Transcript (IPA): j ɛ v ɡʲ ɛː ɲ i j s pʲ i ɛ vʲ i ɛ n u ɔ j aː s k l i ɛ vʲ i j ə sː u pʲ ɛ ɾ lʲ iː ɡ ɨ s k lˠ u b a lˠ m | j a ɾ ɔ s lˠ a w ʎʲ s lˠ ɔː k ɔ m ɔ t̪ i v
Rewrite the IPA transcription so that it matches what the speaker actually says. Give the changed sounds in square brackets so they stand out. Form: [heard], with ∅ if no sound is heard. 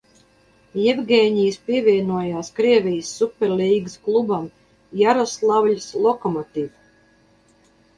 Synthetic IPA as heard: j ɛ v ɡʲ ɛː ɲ i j s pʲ i ɛ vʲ i ɛ n u ɔ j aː s k [ɾ] i ɛ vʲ i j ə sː u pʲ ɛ ɾ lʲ iː ɡ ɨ s k lˠ u b a [∅] m | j a ɾ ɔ s lˠ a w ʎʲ s lˠ [ɔ] k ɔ m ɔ t̪ i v